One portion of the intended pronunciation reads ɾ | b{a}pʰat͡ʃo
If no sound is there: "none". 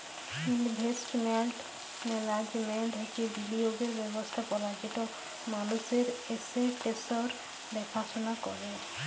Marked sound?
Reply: ɛ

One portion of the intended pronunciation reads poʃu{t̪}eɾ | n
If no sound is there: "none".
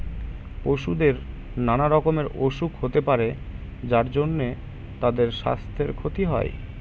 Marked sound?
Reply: d̪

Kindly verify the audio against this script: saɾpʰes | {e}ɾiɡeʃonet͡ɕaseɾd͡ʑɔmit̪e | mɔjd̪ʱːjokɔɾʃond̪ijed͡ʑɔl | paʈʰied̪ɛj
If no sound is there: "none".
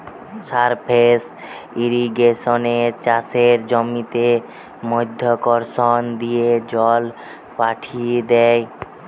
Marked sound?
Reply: i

